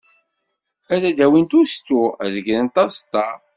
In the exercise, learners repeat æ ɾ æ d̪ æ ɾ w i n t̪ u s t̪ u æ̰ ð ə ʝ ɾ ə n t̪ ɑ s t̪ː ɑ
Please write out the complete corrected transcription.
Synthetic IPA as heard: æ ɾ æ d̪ æ w i n t̪ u s t̪ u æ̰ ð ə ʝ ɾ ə n t̪ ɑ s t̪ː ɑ